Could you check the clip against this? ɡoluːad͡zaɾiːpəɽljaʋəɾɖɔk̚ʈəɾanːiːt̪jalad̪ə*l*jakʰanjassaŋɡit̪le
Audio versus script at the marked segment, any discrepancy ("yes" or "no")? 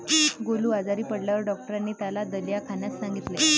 no